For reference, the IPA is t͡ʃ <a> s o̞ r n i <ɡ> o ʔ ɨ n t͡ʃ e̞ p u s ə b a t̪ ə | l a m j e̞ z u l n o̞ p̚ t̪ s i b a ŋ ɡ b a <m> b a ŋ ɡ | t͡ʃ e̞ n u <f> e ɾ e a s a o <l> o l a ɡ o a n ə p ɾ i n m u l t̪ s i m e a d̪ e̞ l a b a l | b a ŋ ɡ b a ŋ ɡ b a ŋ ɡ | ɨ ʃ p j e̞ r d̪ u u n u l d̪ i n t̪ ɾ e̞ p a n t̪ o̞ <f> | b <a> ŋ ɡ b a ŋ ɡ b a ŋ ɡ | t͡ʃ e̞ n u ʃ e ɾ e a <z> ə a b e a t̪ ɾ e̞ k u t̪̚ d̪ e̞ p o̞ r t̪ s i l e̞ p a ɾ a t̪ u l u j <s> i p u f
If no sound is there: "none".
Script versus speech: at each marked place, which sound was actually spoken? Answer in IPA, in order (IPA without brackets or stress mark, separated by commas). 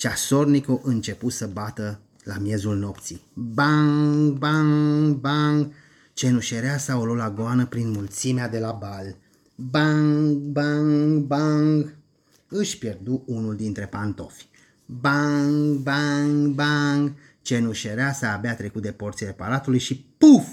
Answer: a, k, ŋ, ʃ, l, f, a, s, ʃ